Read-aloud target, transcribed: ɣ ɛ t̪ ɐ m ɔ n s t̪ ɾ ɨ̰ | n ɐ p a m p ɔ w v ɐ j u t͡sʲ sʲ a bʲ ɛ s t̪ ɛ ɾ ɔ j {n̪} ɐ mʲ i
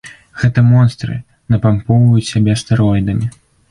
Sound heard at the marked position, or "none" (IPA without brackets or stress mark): d̪